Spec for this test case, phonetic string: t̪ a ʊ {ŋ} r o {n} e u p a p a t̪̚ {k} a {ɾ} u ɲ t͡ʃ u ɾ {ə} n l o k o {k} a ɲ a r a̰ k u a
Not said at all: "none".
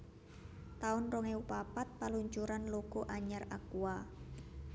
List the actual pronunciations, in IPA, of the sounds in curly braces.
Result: n, ŋ, p, l, a, ʔ

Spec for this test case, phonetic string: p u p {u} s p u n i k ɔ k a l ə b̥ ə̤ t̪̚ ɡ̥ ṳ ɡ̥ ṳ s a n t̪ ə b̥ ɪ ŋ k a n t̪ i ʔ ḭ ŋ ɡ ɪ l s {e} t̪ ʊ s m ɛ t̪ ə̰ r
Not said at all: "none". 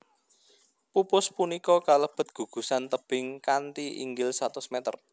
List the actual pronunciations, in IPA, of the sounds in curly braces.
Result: ʊ, a

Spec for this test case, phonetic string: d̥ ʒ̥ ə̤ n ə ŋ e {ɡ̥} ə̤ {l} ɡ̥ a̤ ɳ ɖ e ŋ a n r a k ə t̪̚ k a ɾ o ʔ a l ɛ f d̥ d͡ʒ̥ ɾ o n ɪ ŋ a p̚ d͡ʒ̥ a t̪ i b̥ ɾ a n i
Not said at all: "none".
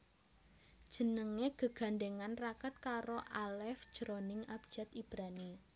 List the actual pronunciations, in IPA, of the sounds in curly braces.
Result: ɡ̥, none

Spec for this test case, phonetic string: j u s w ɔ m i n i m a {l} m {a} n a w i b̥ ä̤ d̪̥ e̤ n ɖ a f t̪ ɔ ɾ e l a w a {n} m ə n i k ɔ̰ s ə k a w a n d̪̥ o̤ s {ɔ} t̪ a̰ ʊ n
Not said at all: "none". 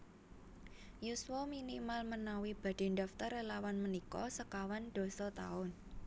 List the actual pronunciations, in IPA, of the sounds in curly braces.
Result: l, ə, n, ɔ

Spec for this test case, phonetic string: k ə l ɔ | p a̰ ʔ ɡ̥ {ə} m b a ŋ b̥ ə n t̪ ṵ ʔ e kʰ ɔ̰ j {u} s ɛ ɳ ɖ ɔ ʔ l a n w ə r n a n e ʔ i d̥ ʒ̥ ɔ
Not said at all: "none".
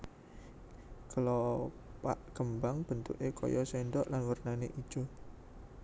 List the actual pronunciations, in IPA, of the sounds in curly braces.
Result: ə, ɔ

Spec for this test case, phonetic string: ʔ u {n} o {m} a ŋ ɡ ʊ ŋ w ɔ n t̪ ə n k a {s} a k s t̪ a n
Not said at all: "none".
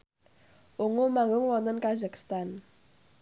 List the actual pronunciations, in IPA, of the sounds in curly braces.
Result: ŋ, m, z

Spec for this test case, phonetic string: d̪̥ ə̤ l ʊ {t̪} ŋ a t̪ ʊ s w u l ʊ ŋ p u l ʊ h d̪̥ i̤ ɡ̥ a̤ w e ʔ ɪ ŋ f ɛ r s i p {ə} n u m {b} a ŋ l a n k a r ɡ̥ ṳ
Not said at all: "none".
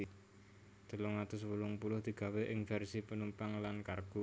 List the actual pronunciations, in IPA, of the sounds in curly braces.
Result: none, ə, p

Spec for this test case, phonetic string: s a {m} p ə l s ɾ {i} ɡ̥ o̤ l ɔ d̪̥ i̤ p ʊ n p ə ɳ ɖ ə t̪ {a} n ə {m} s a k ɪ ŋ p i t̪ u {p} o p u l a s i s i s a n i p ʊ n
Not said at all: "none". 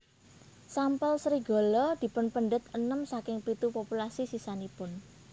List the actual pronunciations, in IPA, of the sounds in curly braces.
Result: m, i, ə, m, p

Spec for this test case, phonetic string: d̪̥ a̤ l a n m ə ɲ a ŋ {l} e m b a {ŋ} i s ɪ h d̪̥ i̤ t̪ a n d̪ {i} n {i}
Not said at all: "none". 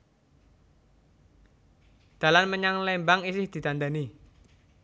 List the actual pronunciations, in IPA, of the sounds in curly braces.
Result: l, ŋ, a, i

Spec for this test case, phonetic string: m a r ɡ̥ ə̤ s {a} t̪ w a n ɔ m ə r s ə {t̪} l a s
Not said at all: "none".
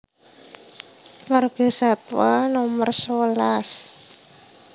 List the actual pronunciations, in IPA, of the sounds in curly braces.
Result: a, none

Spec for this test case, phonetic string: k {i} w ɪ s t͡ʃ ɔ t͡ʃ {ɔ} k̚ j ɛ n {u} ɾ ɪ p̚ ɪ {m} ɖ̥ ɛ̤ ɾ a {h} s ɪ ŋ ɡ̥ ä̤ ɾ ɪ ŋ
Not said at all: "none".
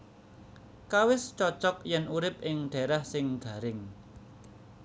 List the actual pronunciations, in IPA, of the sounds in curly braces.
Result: a, ɔ, u, ŋ, h

